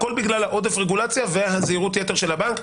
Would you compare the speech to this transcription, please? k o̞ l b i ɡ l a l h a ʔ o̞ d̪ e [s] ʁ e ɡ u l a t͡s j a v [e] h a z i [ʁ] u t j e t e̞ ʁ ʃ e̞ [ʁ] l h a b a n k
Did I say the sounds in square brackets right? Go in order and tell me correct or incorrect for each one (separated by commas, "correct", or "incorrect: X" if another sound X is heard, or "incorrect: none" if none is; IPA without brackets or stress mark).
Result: incorrect: f, correct, correct, incorrect: none